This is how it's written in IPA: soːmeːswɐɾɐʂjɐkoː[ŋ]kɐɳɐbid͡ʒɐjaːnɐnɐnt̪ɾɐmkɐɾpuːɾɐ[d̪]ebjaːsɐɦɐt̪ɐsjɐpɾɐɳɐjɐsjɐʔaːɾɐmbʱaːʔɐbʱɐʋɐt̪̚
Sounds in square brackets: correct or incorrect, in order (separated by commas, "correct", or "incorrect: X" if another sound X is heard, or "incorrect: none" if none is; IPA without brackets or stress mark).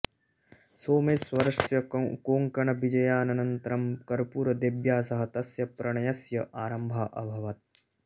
correct, correct